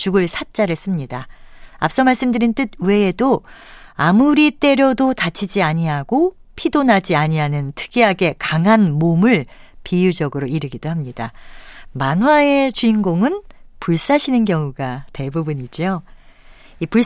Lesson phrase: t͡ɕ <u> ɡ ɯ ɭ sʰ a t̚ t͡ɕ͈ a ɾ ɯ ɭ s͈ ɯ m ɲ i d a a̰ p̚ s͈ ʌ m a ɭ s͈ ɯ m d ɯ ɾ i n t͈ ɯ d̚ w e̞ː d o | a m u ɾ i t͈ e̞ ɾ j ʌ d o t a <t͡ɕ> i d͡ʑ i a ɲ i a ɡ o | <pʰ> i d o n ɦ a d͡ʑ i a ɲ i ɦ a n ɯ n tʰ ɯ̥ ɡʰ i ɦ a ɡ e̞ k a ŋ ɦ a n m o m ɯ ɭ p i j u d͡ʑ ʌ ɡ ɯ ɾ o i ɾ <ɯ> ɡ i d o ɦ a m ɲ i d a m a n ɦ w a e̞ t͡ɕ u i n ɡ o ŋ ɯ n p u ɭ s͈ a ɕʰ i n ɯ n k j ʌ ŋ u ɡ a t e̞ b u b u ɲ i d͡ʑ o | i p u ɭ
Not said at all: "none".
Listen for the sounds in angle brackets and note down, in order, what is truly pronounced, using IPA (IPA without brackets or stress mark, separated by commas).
u, t͡ɕʰ, pʰ, ɯ